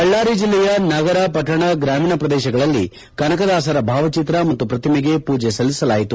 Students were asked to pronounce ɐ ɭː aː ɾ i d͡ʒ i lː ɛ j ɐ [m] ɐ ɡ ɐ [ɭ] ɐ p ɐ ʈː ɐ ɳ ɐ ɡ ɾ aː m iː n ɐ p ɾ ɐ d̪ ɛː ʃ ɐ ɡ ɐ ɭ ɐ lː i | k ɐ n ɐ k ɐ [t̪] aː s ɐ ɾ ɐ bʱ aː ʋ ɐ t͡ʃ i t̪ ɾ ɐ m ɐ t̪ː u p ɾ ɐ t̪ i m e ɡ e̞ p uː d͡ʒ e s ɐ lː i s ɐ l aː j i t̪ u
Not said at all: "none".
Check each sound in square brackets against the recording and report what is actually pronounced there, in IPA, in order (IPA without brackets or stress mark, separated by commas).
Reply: n, ɾ, d̪